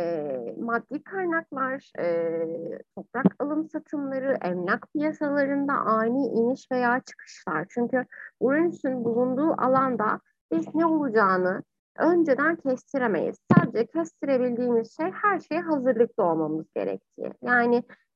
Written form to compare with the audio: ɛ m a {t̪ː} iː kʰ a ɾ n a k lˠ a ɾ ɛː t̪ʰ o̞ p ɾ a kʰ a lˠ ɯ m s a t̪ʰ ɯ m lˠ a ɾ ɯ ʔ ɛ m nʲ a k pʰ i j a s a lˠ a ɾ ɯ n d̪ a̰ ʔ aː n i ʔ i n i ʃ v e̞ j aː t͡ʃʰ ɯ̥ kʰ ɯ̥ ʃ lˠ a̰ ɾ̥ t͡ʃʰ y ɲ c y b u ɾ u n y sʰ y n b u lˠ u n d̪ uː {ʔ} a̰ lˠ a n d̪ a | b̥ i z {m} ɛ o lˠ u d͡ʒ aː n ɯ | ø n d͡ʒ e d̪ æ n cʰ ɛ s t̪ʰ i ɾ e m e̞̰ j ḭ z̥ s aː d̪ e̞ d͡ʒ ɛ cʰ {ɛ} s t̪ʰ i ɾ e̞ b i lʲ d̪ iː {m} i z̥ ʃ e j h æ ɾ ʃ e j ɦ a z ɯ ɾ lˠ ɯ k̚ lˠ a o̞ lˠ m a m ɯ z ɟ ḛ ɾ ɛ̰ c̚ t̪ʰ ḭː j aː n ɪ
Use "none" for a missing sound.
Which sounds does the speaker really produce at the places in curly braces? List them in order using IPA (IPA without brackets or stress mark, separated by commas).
d̪ː, ʔ, n, ɛ, m